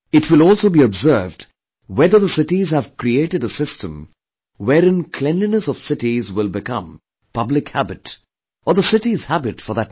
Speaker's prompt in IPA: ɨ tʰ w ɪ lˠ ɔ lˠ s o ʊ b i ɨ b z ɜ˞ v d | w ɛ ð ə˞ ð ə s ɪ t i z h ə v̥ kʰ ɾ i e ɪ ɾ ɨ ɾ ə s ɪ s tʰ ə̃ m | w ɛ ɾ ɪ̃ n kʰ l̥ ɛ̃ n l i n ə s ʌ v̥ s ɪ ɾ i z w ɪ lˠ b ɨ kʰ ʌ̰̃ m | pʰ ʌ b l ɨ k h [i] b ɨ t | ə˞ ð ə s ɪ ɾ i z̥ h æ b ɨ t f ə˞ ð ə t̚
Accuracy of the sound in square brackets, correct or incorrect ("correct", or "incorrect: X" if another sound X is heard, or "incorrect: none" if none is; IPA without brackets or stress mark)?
incorrect: æ